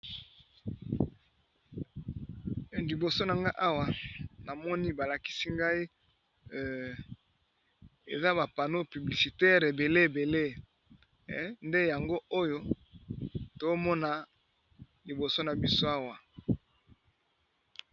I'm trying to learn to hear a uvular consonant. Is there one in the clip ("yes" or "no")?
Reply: yes